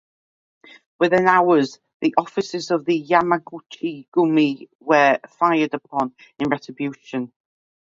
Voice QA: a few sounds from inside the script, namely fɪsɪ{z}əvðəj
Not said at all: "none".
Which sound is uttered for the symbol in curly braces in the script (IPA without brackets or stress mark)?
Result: z